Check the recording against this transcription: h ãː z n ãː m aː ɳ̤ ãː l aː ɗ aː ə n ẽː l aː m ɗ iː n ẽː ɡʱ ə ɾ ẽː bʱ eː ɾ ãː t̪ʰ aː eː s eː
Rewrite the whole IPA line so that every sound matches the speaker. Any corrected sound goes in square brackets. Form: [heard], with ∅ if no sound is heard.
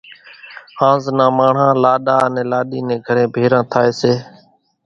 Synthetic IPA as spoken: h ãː z n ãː m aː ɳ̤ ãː l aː ɗ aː ə n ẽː l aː [∅] ɗ iː n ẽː ɡʱ ə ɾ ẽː bʱ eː ɾ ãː t̪ʰ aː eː s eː